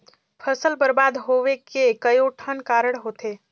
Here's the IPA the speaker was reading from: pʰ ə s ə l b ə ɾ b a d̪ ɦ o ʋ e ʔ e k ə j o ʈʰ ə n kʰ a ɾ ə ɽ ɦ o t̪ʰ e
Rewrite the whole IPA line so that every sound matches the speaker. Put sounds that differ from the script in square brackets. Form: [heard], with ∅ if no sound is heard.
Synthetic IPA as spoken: pʰ ə s ə l b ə ɾ b a d̪ ɦ o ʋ e [k] e k ə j o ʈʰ ə n [k] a ɾ ə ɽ ɦ o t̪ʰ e